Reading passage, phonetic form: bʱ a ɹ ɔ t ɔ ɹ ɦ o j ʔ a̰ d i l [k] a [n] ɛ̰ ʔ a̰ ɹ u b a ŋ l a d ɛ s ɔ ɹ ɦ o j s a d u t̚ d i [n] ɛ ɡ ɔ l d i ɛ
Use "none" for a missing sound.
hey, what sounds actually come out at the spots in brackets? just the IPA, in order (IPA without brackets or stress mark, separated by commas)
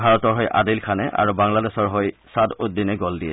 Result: kʰ, n, n